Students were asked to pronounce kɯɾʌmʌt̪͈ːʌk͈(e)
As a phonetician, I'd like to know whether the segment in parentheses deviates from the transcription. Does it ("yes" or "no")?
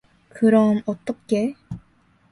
no